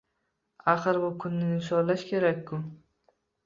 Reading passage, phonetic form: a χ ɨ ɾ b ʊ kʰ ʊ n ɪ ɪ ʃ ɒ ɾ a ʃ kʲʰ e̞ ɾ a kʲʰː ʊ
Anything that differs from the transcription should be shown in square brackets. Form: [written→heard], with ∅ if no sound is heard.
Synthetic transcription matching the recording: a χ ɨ ɾ b ʊ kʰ ʊ [n→nː] ɪ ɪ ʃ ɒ [ɾ→l] a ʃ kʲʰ e̞ ɾ a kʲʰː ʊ